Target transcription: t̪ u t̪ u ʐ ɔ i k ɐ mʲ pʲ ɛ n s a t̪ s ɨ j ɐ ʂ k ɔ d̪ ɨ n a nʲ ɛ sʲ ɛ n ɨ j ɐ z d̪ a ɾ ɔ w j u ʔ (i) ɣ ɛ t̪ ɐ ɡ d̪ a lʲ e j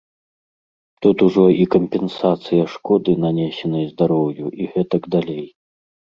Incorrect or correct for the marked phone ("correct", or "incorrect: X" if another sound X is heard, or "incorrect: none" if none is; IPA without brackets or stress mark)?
correct